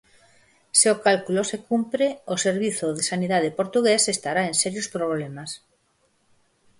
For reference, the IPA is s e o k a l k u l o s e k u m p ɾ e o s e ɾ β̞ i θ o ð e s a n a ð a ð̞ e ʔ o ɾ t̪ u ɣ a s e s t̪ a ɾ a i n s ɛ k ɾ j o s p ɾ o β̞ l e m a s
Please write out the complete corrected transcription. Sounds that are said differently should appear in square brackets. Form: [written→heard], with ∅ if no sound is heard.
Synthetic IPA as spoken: s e o k a l k u l o s e k u m p ɾ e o s e ɾ β̞ i θ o ð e s a n [a→i] ð a ð̞ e [ʔ→p] o ɾ t̪ u ɣ [a→e] s e s t̪ a ɾ a [i→e] n s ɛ [k→∅] ɾ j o s p ɾ o β̞ l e m a s